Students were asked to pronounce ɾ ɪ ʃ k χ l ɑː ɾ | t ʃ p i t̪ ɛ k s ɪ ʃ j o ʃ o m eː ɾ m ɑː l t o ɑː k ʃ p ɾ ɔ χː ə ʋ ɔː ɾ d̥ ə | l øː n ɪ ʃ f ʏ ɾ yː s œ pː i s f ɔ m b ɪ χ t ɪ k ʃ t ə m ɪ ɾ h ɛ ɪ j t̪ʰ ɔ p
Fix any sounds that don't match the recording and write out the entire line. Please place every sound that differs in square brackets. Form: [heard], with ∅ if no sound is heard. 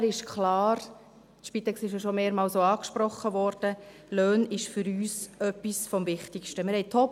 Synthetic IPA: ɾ ɪ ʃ k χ l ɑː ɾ | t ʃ p i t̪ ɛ k s ɪ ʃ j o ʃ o m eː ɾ m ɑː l [s] o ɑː k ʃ p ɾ ɔ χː ə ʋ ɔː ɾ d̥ ə | l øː n ɪ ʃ f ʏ ɾ yː s œ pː i s f ɔ m [v] ɪ χ t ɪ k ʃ t ə m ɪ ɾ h ɛ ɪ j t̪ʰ ɔ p